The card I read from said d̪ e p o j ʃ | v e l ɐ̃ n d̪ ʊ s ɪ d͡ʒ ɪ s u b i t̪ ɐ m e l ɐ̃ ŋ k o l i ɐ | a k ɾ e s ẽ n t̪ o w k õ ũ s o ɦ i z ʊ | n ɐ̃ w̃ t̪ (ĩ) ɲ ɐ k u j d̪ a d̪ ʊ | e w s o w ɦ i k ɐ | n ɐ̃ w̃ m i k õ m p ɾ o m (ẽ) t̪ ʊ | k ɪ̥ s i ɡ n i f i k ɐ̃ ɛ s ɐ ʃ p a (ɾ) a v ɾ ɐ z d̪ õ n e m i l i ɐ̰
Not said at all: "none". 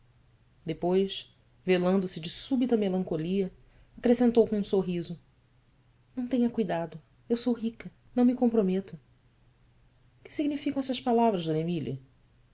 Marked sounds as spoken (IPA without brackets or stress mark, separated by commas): ẽ, e, l